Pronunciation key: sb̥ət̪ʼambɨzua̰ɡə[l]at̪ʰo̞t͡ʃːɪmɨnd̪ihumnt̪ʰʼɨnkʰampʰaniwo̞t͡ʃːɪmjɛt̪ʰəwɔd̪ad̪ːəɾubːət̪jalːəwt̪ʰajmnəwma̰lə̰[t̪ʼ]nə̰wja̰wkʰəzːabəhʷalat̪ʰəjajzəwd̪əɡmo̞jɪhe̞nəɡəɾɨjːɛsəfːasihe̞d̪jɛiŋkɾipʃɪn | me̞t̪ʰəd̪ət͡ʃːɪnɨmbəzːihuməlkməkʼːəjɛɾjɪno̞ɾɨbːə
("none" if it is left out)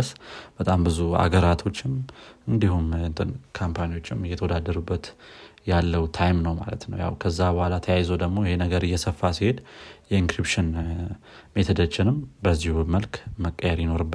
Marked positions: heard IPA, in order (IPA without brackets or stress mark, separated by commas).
ɾ, t̪